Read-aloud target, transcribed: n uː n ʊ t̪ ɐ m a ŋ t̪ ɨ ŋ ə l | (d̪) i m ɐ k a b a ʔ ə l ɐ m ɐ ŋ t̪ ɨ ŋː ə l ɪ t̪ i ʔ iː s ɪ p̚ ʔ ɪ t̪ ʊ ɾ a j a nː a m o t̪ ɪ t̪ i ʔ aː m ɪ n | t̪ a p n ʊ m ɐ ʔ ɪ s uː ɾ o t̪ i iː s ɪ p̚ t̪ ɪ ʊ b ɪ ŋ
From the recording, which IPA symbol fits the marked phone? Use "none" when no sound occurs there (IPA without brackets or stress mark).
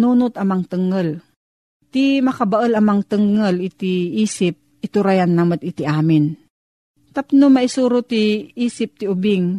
t̪